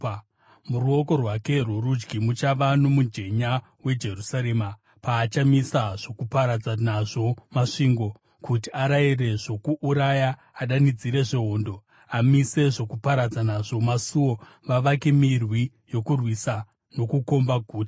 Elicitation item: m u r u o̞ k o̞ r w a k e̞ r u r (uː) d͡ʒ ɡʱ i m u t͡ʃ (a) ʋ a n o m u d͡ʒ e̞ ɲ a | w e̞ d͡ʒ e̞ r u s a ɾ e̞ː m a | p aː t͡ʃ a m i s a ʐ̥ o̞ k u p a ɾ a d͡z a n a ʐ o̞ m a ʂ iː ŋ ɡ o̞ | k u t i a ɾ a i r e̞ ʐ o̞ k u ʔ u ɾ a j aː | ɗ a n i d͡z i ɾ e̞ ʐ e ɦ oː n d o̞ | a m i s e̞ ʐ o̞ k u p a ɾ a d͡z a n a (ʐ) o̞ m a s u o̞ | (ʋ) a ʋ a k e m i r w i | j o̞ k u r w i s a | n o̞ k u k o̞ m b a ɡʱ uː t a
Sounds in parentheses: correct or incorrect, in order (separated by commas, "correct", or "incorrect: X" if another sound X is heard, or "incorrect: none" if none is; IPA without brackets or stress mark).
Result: incorrect: u, correct, correct, correct